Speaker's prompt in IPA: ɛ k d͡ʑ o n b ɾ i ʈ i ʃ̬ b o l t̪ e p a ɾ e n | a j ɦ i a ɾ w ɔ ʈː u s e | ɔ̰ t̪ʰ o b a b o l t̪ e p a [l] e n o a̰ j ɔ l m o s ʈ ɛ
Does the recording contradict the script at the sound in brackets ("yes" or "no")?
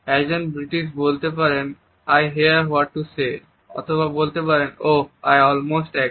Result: yes